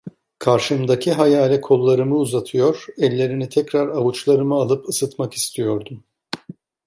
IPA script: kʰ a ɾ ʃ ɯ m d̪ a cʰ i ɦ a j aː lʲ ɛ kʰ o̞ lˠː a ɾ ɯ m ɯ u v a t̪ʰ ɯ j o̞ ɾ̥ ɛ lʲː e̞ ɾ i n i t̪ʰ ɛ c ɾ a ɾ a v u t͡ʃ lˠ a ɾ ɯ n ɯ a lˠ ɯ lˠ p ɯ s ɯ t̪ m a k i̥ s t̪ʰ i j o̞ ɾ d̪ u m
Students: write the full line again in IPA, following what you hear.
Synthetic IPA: kʰ a ɾ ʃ ɯ m d̪ a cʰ i ɦ a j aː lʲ ɛ kʰ o̞ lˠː a ɾ ɯ m ɯ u z a t̪ʰ ɯ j o̞ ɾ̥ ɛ lʲː e̞ ɾ i n i t̪ʰ ɛ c ɾ a ɾ a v u t͡ʃ lˠ a ɾ ɯ m ɯ a lˠ ɯ p ɯ s ɯ t̪ m a k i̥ s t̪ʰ i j o̞ ɾ d̪ u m